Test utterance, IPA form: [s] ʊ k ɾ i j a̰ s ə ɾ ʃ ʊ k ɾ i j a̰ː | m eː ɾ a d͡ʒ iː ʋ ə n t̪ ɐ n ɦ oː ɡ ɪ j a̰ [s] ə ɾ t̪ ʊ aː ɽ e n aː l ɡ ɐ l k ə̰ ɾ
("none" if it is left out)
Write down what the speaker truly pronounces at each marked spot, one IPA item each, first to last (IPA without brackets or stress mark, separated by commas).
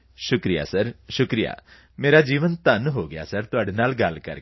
ʃ, s